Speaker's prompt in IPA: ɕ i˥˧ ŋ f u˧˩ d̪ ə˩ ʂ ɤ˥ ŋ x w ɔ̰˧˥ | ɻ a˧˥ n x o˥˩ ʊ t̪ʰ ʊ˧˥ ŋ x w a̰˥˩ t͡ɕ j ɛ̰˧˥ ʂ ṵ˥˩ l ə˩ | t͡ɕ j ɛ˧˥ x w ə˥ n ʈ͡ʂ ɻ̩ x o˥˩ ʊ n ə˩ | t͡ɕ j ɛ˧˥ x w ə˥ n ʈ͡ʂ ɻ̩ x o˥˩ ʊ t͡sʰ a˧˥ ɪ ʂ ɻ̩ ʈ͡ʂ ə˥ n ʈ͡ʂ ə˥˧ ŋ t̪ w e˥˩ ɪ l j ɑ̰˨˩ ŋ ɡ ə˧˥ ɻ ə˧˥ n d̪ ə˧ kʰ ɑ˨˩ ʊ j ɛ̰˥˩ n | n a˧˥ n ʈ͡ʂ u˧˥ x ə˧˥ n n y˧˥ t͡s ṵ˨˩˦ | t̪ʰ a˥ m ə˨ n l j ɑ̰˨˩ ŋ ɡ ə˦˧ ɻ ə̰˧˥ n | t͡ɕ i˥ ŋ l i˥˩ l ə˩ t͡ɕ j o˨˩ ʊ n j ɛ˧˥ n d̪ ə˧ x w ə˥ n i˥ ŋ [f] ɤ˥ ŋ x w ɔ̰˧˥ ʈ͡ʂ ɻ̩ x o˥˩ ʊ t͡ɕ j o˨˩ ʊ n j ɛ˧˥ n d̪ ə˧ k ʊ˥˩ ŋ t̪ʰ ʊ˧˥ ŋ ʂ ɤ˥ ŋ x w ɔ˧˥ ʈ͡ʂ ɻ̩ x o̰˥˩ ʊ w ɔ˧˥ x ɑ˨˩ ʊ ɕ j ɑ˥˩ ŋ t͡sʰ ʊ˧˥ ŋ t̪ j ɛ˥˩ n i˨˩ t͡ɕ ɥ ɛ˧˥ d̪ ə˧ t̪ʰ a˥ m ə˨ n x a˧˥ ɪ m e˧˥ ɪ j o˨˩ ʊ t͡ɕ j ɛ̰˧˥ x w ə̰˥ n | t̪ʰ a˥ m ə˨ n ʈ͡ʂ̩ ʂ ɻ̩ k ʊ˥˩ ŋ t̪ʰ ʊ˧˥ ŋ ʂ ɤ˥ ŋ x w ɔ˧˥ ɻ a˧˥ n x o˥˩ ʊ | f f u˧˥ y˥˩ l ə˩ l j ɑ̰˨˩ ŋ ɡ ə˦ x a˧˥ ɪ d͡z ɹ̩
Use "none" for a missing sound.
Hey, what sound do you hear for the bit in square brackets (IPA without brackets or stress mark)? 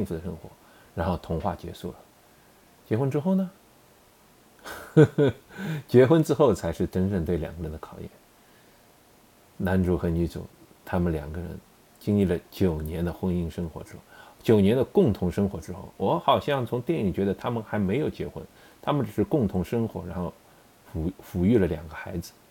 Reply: ʂ